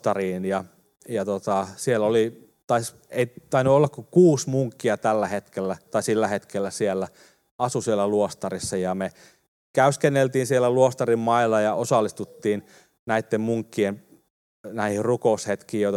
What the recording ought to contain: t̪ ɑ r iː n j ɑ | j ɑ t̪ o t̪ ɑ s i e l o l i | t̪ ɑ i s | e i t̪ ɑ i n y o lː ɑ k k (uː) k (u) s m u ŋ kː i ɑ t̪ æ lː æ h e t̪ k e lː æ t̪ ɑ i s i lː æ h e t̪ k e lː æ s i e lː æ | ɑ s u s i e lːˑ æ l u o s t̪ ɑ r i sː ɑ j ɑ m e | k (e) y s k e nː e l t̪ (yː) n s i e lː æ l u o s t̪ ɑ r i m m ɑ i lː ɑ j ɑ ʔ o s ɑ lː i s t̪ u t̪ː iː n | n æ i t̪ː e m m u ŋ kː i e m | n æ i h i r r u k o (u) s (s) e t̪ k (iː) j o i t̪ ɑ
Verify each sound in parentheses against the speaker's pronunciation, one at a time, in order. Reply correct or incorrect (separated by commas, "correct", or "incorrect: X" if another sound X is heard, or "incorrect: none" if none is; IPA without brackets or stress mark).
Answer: incorrect: u, incorrect: uː, incorrect: æ, incorrect: iː, correct, incorrect: h, correct